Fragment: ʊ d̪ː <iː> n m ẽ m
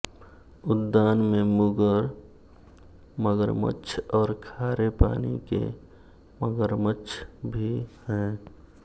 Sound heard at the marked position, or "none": aː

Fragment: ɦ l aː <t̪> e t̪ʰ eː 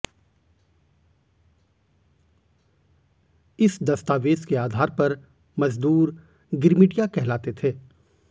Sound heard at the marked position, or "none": t̪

